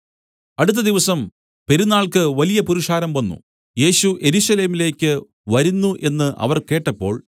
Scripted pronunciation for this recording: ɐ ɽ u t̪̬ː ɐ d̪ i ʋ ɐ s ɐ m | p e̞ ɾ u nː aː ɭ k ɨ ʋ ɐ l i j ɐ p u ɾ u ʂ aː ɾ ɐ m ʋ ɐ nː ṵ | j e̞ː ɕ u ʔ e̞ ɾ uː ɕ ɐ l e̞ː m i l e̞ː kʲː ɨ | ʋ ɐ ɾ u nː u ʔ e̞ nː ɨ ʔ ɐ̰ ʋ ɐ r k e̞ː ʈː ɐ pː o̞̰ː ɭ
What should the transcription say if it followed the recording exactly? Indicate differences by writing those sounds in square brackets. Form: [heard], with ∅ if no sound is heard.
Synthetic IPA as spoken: ɐ ɽ u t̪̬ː ɐ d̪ i ʋ ɐ s ɐ m | p e̞ ɾ u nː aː ɭ k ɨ ʋ ɐ l i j ɐ p u ɾ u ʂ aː ɾ ɐ m ʋ ɐ nː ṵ | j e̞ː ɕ u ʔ e̞ ɾ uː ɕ ɐ l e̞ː m i l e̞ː kʲː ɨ | ʋ ɐ ɾ u nː u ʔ e̞ nː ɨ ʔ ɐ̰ ʋ ɐ r k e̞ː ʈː ɐ pː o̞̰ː ɭ